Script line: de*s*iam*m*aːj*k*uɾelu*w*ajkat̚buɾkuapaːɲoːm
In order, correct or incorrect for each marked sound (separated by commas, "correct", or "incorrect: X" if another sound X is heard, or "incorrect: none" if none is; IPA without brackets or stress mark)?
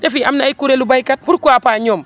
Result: incorrect: f, incorrect: n, correct, incorrect: b